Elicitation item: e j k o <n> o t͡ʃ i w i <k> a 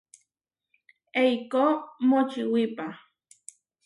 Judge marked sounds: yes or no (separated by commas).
no, no